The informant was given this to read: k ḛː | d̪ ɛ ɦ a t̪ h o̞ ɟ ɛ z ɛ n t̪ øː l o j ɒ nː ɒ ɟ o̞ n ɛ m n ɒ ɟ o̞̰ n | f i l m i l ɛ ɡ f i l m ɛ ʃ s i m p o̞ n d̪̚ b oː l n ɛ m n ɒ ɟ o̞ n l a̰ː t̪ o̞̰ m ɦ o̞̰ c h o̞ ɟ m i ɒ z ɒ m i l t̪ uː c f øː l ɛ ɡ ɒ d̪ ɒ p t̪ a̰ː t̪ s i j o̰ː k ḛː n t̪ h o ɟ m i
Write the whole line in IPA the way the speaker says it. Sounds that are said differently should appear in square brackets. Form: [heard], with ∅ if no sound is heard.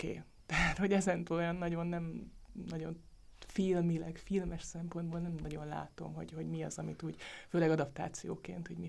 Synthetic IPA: k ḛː | [t̪] ɛ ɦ a t̪ h o̞ ɟ ɛ z ɛ n t̪ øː l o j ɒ nː ɒ ɟ o̞ [nː] ɛ m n ɒ ɟ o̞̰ n | f i l m i l ɛ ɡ f i l m ɛ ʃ s [ɛ] m p o̞ n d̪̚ b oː l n ɛ m n ɒ ɟ o̞ n l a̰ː t̪ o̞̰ m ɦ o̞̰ [ɟ] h o̞ ɟ m i ɒ z ɒ m i [∅] t̪ uː [ɟ] f øː l ɛ ɡ ɒ d̪ ɒ p t̪ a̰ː t̪ s i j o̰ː k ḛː n t̪ h o ɟ m i